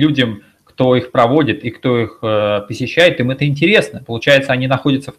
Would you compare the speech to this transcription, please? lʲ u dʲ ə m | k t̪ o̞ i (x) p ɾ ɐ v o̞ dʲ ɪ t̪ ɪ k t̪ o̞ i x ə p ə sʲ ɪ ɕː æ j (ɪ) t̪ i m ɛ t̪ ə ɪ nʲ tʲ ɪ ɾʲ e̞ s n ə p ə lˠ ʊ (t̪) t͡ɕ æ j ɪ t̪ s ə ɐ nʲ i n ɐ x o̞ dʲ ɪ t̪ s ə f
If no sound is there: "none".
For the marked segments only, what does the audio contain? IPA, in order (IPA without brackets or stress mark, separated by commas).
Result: x, ɪ, none